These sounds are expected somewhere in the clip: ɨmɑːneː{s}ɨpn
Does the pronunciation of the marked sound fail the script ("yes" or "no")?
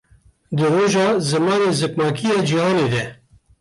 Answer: yes